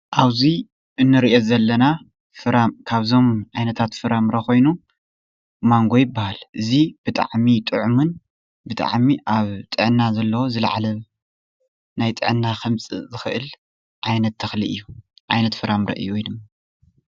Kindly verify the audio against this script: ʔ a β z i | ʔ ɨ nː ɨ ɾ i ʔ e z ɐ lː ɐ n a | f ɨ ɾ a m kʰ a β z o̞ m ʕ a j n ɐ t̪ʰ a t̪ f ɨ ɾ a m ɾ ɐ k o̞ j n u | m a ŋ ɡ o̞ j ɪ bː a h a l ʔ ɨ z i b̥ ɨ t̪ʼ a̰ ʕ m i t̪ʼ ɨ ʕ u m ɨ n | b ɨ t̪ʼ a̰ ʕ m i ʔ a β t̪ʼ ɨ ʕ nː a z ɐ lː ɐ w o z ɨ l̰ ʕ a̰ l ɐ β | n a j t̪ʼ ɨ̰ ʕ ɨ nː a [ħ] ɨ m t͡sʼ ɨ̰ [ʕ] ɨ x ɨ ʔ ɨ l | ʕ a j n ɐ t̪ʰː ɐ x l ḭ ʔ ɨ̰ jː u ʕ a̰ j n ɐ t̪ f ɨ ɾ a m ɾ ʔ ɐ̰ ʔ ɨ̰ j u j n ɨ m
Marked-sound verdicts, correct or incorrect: incorrect, incorrect

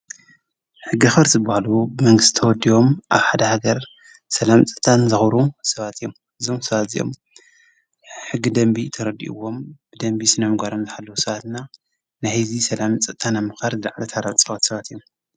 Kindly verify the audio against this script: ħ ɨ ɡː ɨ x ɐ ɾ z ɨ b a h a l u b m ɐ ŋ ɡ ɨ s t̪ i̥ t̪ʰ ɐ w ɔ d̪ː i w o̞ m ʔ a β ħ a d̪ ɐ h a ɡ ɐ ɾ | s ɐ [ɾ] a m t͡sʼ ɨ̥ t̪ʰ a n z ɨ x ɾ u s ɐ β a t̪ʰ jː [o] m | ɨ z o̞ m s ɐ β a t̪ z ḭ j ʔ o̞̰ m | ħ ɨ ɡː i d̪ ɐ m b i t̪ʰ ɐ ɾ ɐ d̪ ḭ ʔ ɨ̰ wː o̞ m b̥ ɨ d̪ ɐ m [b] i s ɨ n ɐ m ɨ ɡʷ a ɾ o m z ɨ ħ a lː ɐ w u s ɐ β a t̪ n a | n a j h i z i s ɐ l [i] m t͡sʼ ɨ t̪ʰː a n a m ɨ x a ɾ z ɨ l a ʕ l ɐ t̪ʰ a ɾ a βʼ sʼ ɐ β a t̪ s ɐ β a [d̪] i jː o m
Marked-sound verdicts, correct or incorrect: incorrect, correct, correct, incorrect, incorrect

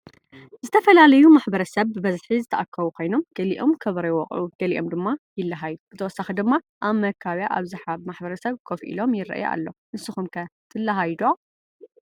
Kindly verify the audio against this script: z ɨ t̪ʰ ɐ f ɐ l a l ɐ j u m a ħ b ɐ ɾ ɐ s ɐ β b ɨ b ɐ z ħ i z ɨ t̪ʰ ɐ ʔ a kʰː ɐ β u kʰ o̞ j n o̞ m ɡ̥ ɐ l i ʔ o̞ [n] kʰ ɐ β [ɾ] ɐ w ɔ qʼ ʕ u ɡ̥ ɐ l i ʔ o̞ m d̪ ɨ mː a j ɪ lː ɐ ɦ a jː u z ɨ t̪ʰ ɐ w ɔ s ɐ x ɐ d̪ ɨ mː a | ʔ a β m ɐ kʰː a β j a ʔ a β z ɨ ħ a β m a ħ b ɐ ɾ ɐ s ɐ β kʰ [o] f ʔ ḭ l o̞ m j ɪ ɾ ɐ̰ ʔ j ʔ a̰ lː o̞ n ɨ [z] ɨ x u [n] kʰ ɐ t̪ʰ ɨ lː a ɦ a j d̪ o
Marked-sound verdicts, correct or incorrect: incorrect, correct, correct, incorrect, incorrect

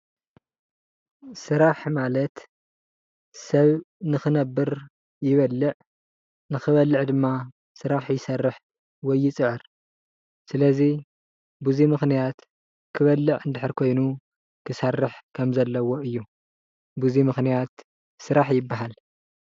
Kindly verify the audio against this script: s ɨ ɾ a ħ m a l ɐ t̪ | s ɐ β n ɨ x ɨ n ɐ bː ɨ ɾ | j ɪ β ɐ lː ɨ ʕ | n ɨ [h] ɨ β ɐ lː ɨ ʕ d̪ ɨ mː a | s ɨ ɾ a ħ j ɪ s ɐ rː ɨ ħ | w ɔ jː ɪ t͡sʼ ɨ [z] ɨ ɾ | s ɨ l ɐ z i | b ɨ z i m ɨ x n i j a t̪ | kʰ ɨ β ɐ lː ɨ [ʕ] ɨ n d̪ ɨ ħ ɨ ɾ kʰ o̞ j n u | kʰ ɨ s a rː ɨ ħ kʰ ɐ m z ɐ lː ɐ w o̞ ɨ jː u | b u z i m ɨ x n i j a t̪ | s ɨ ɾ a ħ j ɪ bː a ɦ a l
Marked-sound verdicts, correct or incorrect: incorrect, incorrect, correct

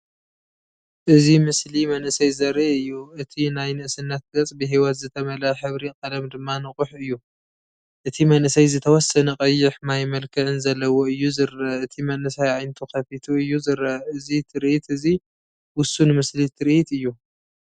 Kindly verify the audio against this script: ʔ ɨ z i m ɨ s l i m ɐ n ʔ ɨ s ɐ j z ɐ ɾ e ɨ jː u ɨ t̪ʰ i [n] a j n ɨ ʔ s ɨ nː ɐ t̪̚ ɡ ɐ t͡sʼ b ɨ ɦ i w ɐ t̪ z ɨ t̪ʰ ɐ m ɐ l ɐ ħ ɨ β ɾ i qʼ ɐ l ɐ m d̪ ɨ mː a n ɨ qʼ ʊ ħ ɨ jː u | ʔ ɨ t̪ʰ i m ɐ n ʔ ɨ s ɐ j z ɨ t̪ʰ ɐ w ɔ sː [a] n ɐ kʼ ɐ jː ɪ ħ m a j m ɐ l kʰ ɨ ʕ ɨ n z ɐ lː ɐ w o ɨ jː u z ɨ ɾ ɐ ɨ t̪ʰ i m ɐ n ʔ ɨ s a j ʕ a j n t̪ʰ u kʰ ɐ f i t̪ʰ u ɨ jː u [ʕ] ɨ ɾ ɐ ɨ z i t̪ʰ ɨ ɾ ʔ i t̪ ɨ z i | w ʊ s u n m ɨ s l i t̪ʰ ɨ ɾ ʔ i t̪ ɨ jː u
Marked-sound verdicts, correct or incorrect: correct, incorrect, incorrect

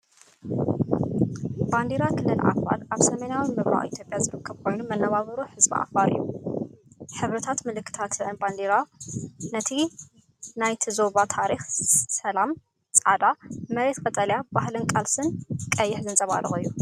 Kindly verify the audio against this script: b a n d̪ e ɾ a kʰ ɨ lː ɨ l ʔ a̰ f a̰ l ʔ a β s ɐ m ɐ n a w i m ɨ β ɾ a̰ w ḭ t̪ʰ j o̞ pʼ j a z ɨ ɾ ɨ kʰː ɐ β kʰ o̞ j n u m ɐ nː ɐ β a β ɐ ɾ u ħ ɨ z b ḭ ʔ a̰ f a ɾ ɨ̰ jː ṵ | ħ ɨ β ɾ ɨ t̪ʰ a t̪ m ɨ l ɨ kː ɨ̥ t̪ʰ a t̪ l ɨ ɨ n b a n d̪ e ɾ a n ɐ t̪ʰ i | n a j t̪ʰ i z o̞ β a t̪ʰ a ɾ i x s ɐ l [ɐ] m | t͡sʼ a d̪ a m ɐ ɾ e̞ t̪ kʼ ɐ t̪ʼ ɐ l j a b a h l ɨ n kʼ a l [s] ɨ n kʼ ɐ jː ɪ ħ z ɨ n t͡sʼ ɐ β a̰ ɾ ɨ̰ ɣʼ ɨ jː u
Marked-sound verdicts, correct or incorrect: incorrect, correct

